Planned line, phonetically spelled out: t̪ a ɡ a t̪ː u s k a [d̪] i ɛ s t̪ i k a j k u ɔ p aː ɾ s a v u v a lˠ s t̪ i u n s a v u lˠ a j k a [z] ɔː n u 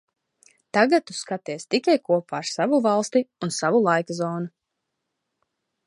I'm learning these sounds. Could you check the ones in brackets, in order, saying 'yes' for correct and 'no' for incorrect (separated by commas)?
no, yes